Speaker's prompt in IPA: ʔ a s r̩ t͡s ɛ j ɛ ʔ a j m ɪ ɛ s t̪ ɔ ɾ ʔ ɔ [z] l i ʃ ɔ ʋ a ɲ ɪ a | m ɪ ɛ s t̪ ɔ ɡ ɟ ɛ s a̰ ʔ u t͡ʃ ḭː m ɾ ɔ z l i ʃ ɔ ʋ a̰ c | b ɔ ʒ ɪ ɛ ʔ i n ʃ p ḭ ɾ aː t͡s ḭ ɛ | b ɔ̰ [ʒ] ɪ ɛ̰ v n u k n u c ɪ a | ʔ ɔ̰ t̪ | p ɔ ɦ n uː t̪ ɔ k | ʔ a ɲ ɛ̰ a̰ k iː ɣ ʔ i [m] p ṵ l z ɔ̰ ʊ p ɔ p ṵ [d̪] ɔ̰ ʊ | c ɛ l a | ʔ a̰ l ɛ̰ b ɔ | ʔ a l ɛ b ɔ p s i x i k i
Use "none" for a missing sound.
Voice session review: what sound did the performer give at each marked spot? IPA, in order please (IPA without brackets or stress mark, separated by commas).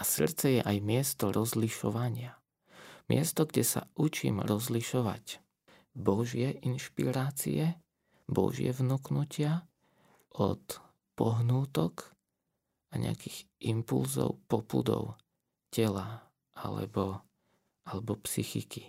z, ʒ, m, d̪